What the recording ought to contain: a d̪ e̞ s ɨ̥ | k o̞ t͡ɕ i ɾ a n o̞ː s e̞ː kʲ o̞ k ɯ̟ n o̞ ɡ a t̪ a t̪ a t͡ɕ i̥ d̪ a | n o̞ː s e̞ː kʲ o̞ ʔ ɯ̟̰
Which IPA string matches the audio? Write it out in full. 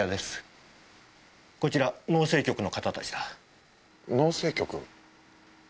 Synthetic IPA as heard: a d̪ e̞ s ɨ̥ | k o̞ t͡ɕ i ɾ a n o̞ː s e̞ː kʲ o̞ k ɯ̟ n o̞ k a t̪ a t̪ a t͡ɕ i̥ d̪ a | n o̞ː s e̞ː kʲ o̞ k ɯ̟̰